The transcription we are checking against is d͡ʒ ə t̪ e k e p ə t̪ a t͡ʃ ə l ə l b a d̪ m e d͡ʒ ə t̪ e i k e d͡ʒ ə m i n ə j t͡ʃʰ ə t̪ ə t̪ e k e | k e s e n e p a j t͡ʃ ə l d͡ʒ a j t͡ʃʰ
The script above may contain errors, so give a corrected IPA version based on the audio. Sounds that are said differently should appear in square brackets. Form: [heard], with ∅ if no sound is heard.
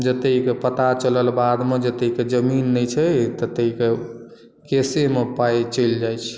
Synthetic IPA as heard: d͡ʒ ə t̪ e k e p ə t̪ a t͡ʃ ə l ə l b a d̪ m e d͡ʒ ə t̪ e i k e d͡ʒ ə m i [nː] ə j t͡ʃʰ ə t̪ ə t̪ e k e | k e s e [m] e p a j t͡ʃ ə l d͡ʒ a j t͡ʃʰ